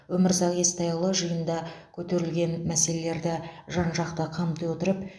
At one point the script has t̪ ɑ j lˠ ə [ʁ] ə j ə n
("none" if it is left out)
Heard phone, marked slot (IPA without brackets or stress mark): ʒ